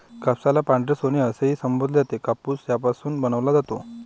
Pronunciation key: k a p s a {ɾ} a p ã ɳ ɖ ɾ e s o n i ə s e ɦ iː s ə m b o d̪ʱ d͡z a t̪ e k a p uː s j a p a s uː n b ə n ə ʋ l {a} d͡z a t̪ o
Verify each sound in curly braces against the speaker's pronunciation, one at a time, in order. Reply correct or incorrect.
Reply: incorrect, correct

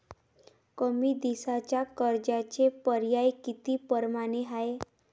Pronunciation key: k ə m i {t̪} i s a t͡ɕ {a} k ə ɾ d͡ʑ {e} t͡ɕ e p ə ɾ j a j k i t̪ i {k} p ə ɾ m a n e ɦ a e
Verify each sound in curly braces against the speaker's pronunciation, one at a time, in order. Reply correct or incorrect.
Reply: incorrect, correct, incorrect, incorrect

